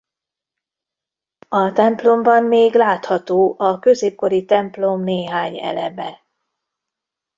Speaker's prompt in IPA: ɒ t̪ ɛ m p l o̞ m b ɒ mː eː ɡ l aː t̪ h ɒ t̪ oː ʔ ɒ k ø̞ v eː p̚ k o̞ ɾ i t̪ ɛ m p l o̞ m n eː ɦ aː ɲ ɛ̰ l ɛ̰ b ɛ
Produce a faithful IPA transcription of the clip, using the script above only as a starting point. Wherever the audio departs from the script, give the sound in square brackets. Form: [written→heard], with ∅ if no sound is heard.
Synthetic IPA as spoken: ɒ t̪ ɛ m p l o̞ m b ɒ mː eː ɡ l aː t̪ h ɒ t̪ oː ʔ ɒ k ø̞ [v→z] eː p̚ k o̞ ɾ i t̪ ɛ m p l o̞ m n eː ɦ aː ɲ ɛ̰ l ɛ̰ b ɛ